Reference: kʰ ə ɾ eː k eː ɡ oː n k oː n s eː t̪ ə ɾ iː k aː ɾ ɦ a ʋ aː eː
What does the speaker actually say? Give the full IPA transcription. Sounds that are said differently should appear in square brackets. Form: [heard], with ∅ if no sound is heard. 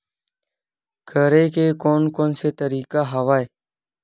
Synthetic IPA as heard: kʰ ə ɾ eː k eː [k] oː n k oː n s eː t̪ ə ɾ iː k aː [∅] ɦ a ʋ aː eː